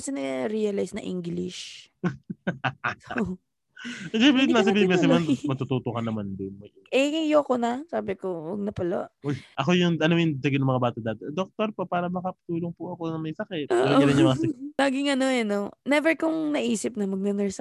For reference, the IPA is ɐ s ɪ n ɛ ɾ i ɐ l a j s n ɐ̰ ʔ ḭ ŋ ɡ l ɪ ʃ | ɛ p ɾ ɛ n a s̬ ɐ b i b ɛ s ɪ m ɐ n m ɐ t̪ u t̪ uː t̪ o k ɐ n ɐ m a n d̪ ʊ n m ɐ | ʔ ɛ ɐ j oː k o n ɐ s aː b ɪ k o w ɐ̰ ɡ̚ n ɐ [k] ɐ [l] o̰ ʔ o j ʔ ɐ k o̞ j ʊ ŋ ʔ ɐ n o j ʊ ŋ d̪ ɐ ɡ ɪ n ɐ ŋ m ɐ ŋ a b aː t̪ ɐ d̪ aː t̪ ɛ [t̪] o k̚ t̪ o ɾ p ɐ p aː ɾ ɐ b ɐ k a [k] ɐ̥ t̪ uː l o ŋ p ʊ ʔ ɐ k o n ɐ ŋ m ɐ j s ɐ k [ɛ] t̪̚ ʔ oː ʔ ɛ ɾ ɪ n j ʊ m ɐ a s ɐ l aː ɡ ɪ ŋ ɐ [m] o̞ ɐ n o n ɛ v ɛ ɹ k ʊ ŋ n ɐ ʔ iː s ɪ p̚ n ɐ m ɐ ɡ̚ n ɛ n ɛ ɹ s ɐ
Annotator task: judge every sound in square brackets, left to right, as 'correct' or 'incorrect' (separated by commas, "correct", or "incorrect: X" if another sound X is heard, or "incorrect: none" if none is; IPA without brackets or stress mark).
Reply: incorrect: p, correct, incorrect: d̪, incorrect: p, correct, incorrect: n